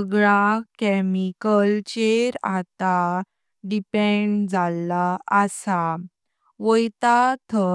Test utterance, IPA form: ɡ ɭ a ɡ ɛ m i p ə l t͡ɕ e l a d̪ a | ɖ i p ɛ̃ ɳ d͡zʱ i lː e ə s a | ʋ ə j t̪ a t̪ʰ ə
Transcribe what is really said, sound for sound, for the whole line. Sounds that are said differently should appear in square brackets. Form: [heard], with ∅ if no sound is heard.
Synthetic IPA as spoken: ɡ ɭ a [k] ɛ m i [k] ə l t͡ɕ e [ɾ] a [t̪] a | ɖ i p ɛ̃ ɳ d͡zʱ [a] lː [a] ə s a | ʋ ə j t̪ a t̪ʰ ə